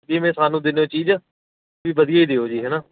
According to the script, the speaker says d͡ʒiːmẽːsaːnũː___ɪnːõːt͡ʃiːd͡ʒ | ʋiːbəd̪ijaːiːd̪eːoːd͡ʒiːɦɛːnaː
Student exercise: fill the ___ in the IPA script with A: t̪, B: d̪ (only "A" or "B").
B